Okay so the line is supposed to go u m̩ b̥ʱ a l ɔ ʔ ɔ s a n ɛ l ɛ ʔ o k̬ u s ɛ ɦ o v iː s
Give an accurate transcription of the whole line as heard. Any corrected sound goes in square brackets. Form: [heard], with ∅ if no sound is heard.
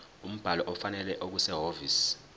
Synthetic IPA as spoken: u m̩ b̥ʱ a l ɔ ʔ ɔ [f] a n ɛ l ɛ ʔ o k̬ u s ɛ ɦ o v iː s